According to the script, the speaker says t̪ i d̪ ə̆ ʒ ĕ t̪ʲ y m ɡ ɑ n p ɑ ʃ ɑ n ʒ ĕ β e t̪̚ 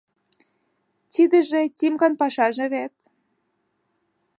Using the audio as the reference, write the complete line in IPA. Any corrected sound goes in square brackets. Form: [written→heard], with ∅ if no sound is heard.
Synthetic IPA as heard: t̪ i d̪ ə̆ ʒ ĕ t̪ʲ [y→i] m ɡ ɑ n p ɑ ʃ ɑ [n→∅] ʒ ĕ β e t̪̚